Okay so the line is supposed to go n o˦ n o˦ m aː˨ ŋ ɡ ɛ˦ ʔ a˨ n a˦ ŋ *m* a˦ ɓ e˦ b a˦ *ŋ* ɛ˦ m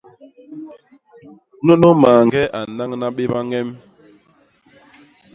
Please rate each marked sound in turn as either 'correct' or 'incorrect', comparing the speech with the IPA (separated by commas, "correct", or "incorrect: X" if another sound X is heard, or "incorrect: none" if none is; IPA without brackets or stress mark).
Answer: incorrect: n, correct